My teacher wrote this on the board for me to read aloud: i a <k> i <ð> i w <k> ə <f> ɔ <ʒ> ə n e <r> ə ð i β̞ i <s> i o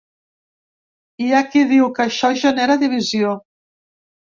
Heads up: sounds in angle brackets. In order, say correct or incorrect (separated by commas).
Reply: correct, correct, correct, incorrect, correct, incorrect, incorrect